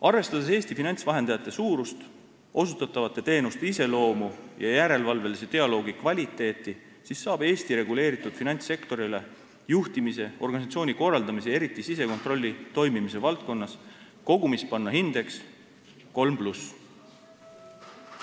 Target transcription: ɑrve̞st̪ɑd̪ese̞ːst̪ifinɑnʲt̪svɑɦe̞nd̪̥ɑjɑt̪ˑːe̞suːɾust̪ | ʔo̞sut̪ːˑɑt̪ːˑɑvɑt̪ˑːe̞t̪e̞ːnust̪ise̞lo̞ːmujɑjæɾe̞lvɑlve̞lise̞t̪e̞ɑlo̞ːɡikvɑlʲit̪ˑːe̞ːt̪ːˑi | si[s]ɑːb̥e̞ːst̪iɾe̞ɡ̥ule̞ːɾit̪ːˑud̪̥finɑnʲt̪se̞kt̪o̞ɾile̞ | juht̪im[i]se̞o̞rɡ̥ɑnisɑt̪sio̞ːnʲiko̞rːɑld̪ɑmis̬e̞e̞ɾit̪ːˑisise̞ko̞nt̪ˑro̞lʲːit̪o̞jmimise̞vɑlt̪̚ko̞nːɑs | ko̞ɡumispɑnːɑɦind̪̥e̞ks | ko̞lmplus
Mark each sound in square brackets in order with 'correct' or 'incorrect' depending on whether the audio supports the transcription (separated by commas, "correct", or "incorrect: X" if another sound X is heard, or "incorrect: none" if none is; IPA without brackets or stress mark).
incorrect: sː, correct